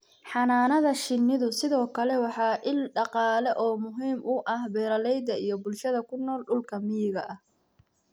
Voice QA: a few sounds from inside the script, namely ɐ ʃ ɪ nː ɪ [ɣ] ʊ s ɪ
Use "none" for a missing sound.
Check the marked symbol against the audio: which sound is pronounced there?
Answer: ð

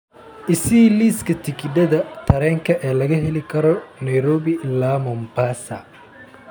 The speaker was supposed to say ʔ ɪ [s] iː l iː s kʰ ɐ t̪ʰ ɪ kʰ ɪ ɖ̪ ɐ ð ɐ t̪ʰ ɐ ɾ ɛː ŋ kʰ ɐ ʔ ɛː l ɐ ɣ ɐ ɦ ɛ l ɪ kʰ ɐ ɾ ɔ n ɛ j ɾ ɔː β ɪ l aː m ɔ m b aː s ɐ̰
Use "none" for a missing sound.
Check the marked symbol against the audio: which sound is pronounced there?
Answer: s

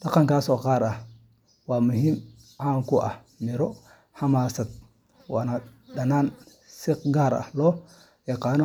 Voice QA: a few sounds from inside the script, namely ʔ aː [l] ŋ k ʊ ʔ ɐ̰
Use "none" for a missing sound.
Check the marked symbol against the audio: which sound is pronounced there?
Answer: none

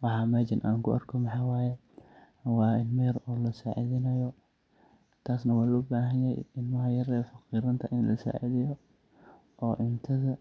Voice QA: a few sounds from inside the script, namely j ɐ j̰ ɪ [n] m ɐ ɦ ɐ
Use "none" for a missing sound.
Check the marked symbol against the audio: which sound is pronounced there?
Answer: n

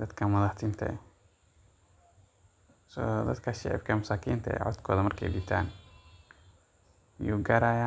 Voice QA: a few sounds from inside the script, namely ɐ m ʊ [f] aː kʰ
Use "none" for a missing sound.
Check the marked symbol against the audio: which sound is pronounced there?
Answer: s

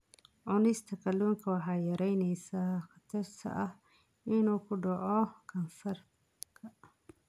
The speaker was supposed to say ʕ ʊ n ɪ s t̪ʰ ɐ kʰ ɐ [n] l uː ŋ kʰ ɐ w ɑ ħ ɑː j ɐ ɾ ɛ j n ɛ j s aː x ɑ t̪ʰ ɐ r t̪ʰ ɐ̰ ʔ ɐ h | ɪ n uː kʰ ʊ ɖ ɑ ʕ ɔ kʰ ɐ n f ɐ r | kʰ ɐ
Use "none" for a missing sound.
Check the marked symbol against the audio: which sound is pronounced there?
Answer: none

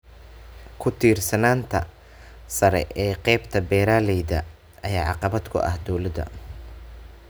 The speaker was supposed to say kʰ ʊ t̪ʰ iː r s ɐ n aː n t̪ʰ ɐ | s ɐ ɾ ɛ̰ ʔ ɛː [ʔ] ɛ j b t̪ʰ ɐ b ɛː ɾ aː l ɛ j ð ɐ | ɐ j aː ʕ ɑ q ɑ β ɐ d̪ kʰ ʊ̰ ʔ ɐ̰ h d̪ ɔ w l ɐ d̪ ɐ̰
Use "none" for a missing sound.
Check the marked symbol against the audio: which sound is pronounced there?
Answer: q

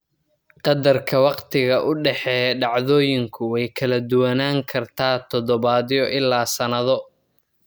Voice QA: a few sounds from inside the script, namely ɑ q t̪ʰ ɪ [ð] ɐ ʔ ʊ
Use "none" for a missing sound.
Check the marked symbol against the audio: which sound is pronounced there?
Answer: ɣ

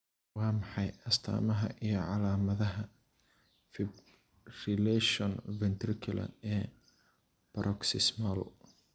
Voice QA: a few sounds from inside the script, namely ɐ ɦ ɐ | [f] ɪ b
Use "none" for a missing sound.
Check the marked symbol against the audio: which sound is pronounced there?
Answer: f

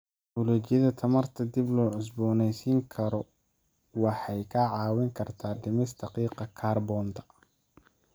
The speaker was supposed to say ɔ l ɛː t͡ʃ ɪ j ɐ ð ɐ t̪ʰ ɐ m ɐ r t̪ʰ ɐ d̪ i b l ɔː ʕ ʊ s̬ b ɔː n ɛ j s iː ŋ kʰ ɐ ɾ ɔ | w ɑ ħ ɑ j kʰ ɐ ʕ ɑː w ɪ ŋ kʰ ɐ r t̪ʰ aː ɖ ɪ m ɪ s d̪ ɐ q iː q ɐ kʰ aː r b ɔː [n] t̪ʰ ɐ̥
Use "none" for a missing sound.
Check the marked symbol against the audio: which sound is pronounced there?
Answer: n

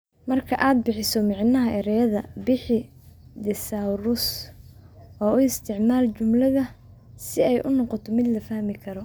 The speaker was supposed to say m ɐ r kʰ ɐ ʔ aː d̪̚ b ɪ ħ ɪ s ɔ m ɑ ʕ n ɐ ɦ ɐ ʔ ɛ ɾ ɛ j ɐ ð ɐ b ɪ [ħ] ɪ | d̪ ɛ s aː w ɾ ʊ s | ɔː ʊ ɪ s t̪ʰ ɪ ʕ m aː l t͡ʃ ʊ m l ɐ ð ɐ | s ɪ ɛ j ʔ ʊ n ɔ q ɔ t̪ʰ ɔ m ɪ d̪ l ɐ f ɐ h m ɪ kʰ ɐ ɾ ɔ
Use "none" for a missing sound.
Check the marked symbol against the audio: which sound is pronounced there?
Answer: ħ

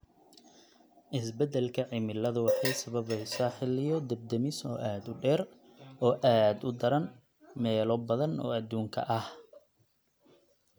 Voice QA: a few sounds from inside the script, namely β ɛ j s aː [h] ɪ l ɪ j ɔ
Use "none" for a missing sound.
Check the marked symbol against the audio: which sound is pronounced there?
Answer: ħ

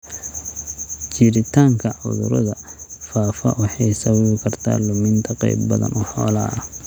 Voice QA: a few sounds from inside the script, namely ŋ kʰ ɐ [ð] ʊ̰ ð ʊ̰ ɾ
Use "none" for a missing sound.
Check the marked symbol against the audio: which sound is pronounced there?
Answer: ʕ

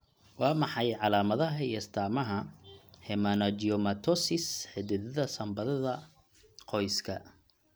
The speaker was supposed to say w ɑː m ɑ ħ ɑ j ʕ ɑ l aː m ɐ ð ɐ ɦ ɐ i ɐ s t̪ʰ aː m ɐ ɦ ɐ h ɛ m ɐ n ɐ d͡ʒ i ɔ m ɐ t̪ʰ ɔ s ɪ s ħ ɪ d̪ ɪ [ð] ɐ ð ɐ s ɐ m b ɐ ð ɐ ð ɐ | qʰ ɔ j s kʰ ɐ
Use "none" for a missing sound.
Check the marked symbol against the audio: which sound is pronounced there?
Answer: ð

